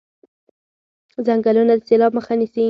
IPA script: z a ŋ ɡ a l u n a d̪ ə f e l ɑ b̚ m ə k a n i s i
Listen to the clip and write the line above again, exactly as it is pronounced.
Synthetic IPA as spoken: z a ŋ ɡ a l u n a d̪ ə s e l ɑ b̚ m ə x a n i s i